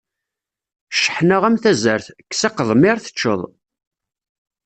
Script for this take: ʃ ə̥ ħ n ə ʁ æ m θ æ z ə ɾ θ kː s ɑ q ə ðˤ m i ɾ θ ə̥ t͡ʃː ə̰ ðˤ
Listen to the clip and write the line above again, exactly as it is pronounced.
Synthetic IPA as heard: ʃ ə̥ ħ n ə ʁ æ m θ æ z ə ɾ θ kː s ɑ q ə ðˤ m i ɾ θ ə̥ t͡ʃː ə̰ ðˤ